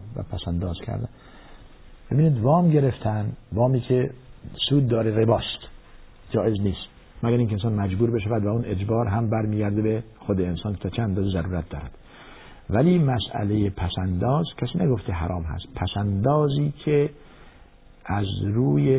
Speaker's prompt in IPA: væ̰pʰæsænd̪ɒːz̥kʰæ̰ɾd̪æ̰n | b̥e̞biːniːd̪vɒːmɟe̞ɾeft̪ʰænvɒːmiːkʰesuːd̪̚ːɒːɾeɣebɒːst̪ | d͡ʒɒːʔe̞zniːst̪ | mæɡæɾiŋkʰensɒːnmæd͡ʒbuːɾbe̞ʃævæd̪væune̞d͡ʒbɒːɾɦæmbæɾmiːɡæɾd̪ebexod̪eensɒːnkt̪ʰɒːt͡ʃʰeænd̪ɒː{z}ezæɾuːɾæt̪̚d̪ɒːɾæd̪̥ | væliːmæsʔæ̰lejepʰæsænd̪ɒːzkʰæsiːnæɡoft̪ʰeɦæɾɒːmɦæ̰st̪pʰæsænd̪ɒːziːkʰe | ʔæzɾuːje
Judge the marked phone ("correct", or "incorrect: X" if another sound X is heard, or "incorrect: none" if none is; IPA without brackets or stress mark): correct